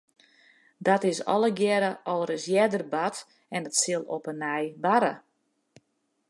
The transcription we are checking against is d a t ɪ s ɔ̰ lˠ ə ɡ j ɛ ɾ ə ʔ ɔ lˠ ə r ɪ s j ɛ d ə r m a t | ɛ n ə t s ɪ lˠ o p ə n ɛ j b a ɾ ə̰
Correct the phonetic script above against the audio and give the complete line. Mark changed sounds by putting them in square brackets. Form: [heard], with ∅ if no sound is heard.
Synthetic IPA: d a t ɪ s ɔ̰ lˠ ə ɡ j ɛ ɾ ə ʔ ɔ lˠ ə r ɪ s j ɛ d ə r [b] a t | ɛ n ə t s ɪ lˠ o p ə n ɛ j b a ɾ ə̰

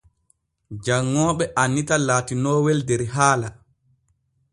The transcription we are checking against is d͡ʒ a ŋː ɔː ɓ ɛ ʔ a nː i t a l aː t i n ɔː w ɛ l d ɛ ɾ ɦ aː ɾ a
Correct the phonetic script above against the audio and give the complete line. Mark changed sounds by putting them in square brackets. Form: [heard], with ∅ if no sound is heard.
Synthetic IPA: d͡ʒ a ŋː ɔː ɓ ɛ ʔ a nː i t a l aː t i n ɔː w ɛ l d ɛ ɾ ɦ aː [l] a

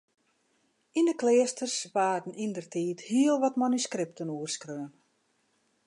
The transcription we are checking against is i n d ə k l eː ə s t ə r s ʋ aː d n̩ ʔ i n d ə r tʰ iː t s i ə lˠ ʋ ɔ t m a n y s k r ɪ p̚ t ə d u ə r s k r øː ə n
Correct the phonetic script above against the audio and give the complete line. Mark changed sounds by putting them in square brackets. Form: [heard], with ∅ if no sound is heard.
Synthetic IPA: i n d ə k l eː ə s t ə r s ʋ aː d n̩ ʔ i n d ə r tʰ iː t [h] i ə lˠ ʋ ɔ t m a n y s k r ɪ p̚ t ə [n] u ə r s k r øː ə n

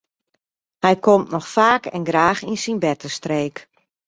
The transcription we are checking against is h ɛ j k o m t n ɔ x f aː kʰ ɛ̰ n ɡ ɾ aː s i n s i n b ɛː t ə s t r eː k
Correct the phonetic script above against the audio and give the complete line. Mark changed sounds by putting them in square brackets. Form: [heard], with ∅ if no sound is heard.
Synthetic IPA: h ɛ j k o m t n ɔ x f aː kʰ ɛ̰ n ɡ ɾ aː [x] i n s i n b [ɛ] t ə s t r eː k

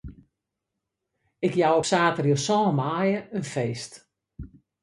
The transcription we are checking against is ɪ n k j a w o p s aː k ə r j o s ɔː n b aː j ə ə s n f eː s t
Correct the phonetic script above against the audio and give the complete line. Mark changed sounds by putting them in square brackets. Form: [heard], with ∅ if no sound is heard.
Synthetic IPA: ɪ [∅] k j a w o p s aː [t] ə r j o s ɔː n [m] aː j ə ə [∅] n f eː s t

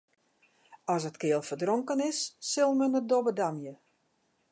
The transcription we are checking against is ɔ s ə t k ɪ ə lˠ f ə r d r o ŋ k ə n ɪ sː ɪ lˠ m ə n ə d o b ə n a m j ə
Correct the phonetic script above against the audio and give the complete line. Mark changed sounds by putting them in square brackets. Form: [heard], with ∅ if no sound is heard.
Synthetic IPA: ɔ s ə t k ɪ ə lˠ f ə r d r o ŋ k ə n ɪ sː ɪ lˠ m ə n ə d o b ə [d] a m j ə

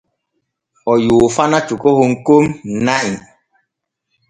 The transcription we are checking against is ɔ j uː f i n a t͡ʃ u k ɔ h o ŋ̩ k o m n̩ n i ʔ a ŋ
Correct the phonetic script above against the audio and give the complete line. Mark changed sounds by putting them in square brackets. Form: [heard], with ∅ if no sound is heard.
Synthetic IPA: ɔ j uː f [a] n a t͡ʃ u k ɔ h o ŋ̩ k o m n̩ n [a] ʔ [i] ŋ

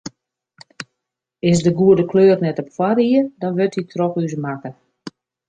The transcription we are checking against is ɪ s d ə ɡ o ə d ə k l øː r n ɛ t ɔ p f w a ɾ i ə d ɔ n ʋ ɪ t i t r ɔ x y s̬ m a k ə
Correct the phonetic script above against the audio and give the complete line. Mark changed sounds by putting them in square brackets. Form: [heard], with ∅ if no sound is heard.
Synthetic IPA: ɪ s d ə ɡ [u] ə d ə k l øː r n ɛ t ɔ p f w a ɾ i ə d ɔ n ʋ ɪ t i t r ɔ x y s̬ m a k ə

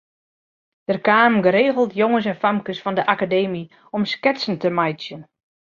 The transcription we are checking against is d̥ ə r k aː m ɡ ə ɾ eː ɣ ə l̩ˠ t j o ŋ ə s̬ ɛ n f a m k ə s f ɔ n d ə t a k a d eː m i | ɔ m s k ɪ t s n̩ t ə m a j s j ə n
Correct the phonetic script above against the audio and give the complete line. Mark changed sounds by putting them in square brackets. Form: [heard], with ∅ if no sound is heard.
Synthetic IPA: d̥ ə r k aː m ɡ ə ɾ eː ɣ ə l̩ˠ t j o ŋ ə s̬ ɛ n f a m k ə s f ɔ n d ə [ʔ] a k a d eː m i | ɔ m s k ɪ t s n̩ t ə m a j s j ə n

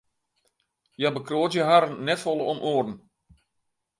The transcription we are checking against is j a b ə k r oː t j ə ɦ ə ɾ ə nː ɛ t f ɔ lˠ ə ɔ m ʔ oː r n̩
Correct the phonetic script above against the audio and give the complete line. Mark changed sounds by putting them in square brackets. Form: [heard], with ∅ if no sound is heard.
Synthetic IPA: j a b ə k r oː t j ə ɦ [a] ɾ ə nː ɛ t f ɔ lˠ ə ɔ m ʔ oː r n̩

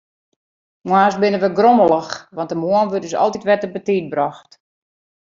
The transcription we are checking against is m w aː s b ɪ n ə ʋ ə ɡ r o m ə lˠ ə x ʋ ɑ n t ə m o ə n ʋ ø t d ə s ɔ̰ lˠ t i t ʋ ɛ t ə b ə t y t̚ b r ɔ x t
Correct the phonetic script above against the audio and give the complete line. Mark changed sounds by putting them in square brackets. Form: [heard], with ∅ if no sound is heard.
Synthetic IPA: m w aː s b ɪ n ə ʋ ə ɡ r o m ə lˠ ə x ʋ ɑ n t ə m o ə n ʋ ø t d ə s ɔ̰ lˠ t i t ʋ ɛ t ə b ə t [i] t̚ b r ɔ x t

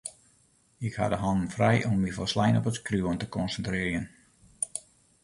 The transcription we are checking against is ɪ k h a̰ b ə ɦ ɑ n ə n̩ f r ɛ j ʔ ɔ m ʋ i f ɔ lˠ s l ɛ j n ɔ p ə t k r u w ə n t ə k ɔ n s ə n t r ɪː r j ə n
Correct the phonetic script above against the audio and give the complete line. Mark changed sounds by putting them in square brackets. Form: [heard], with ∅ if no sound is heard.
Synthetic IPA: ɪ k h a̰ [d] ə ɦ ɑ n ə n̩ f r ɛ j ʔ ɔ m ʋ i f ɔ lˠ s l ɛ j n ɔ p ə t k r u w ə n t ə k ɔ n s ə n t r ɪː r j ə n

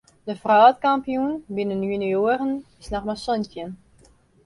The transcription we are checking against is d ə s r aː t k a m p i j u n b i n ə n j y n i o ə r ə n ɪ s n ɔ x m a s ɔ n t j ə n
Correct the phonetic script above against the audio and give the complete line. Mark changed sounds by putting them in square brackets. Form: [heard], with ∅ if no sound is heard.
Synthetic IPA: d ə [f] r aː t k a m p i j u n b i n ə n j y n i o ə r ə n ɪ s n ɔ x m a s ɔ n t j ə n

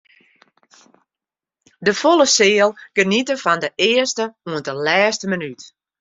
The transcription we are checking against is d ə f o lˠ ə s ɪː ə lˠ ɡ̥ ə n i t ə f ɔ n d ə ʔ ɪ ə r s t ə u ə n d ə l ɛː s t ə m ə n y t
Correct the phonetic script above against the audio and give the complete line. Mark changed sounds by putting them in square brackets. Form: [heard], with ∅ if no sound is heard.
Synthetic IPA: d ə f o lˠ ə s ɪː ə lˠ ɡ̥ ə n i t ə f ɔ n d ə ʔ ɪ ə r s t ə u ə n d ə l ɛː s t ə m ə n y t

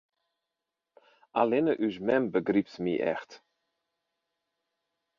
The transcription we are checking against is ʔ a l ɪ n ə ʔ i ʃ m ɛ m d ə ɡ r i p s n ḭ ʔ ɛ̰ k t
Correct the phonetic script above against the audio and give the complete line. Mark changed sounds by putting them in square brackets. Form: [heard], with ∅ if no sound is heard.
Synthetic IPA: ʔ a l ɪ n ə ʔ [y] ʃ m ɛ m [b] ə ɡ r i p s [m] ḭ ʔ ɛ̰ [x] t

